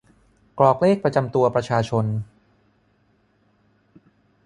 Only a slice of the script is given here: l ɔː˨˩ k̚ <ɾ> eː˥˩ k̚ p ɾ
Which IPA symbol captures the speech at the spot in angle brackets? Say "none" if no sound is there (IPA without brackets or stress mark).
l